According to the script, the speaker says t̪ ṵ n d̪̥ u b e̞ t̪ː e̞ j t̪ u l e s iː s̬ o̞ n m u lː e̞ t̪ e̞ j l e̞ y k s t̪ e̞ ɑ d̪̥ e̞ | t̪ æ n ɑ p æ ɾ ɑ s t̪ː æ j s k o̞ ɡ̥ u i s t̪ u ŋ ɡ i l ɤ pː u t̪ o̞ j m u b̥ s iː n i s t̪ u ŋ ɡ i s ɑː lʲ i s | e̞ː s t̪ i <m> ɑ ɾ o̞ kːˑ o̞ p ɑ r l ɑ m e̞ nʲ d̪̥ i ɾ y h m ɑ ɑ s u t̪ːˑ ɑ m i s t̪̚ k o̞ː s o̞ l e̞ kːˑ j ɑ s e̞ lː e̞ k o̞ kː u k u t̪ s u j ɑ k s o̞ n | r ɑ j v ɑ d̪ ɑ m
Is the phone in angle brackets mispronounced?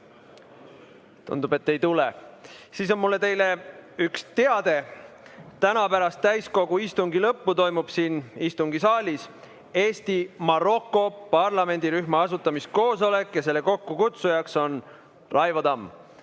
no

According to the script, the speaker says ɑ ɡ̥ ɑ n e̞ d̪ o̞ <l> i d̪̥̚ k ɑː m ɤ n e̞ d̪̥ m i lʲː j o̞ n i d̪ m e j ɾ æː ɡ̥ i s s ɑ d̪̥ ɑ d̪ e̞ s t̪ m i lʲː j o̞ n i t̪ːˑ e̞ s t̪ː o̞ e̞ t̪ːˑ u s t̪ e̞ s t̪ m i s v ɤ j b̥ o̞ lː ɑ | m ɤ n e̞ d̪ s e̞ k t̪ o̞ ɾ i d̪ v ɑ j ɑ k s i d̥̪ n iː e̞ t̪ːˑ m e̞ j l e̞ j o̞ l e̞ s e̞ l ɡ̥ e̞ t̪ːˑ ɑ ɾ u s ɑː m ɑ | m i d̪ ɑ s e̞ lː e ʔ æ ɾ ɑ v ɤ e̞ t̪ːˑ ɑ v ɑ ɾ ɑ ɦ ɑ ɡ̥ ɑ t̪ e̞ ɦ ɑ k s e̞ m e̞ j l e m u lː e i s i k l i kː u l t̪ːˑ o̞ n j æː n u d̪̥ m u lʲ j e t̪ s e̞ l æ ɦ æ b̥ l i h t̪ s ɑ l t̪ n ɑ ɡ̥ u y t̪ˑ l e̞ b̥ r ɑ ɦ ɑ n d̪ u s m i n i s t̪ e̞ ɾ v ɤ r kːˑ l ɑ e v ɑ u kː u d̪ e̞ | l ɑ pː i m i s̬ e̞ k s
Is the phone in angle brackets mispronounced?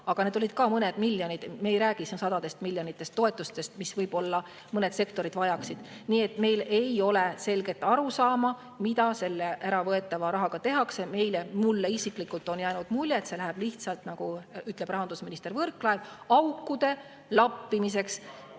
no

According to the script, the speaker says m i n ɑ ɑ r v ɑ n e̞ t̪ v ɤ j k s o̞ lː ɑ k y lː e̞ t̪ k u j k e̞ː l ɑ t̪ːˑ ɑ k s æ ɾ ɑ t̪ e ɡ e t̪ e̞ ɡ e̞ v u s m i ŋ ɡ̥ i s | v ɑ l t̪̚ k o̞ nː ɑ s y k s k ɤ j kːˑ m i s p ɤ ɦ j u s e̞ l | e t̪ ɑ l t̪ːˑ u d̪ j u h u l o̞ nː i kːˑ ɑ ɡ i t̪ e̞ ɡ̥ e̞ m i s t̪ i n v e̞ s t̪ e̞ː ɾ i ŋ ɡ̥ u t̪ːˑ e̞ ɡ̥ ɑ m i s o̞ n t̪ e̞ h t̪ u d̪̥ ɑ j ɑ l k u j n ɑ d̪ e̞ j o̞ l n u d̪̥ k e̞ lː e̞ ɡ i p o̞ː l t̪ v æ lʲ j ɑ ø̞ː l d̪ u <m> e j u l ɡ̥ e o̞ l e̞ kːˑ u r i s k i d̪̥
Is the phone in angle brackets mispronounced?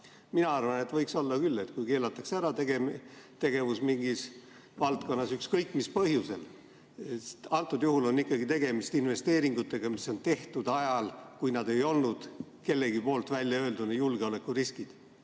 yes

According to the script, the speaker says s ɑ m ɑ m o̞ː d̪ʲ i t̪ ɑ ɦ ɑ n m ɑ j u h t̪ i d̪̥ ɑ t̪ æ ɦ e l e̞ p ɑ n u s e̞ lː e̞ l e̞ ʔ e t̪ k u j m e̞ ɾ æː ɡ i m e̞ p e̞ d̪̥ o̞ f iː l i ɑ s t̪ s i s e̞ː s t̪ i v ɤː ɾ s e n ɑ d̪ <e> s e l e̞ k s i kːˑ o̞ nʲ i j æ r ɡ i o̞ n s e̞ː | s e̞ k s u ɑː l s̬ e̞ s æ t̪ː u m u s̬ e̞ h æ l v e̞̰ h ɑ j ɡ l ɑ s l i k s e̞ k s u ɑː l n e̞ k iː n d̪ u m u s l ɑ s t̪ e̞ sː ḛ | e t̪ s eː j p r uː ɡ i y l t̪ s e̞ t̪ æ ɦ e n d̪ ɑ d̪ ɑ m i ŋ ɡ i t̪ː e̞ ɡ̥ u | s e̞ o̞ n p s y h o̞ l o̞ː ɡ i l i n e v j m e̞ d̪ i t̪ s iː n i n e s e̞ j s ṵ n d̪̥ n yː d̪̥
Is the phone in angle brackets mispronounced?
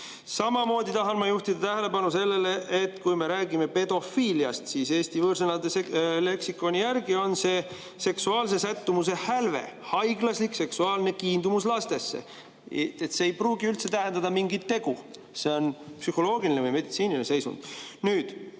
no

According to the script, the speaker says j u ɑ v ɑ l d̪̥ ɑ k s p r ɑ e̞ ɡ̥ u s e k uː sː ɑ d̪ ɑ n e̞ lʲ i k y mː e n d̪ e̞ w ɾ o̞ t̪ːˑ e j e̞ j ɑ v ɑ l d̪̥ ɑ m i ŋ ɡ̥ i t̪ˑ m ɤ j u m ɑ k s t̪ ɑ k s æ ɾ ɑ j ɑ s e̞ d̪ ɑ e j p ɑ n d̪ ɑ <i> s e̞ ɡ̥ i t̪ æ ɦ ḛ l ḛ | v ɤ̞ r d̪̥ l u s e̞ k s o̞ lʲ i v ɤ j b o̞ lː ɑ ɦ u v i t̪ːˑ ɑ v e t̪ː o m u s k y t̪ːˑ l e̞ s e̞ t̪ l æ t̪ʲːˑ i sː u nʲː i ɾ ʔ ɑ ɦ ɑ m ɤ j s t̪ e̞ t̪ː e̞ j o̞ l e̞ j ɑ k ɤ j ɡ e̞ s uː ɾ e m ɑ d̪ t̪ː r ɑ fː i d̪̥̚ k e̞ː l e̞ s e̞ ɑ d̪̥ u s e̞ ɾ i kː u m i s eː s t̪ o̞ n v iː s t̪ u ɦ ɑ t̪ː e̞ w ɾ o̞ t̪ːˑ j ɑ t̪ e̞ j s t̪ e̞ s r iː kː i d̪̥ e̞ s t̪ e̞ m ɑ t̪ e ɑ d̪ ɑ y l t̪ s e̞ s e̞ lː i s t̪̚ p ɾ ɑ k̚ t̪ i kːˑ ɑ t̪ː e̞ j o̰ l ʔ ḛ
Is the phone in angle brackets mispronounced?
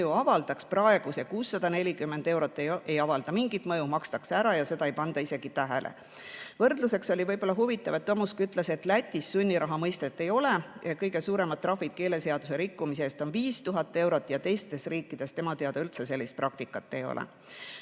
no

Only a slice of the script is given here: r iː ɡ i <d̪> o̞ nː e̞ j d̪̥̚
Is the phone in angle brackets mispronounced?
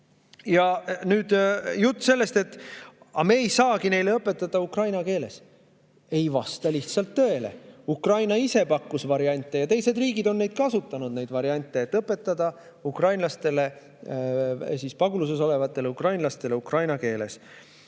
no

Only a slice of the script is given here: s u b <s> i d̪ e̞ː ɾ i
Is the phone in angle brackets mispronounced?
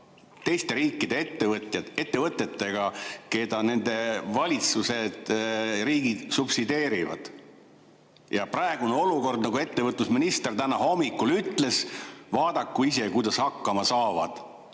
no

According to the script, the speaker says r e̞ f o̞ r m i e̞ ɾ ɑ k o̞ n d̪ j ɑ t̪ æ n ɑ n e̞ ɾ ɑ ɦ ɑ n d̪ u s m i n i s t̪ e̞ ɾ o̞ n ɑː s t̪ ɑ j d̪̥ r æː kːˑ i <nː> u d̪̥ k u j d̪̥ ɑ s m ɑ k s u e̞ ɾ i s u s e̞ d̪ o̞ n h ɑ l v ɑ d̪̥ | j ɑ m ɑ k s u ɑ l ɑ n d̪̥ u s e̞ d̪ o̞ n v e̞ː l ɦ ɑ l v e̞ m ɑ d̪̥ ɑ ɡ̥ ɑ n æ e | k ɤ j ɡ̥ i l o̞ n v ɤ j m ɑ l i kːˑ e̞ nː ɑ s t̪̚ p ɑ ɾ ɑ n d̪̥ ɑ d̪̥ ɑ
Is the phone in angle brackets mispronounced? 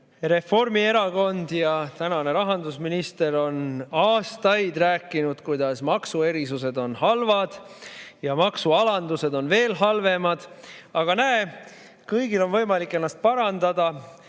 yes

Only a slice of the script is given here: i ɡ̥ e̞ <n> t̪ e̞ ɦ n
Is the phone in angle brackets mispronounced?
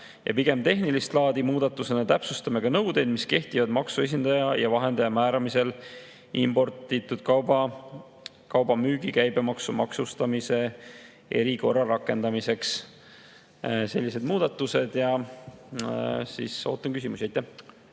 yes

